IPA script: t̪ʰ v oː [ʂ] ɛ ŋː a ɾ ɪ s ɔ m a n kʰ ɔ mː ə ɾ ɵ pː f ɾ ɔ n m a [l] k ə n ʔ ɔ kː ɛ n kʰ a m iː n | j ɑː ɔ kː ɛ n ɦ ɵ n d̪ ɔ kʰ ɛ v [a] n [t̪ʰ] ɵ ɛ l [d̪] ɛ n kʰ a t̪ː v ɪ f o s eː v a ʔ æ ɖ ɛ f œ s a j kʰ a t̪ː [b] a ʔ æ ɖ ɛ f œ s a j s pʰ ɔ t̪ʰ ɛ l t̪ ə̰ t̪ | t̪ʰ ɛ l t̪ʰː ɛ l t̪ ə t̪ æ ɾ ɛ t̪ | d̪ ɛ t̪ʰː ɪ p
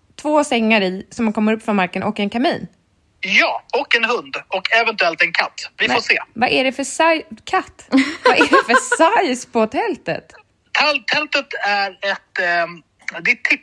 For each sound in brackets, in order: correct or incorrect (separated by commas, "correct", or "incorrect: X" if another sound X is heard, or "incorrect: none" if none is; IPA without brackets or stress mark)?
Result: incorrect: s, incorrect: ɾ, incorrect: ɛ, incorrect: t̪, incorrect: t̪, incorrect: v